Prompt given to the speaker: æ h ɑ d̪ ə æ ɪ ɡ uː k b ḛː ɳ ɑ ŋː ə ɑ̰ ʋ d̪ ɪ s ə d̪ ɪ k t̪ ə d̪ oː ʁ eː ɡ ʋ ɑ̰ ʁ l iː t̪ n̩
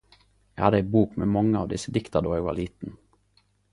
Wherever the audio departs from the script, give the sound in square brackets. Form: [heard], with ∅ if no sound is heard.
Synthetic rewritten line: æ h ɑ d̪ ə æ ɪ [b] uː k [m] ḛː [m] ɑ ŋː ə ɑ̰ ʋ d̪ ɪ s ə d̪ ɪ k t̪ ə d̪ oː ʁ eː ɡ ʋ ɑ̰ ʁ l iː t̪ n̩